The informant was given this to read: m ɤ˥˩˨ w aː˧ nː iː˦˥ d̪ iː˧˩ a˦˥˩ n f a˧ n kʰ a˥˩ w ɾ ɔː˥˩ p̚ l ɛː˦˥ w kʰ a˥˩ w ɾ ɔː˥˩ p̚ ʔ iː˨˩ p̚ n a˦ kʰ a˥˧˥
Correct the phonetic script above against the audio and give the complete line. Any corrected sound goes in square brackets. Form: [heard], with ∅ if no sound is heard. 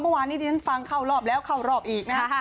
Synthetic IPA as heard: m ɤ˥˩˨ w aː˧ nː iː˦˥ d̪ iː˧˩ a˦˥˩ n f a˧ [ŋ] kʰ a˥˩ w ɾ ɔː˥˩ p̚ l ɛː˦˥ w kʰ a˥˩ w ɾ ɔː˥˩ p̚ ʔ iː˨˩ [k̚] n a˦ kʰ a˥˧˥